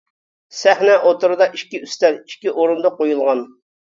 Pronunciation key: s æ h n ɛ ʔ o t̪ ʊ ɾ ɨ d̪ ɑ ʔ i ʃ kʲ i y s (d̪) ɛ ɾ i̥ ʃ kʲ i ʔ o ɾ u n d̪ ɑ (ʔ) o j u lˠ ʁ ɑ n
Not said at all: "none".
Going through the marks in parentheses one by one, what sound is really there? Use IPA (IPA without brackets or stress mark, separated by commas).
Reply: t̪, q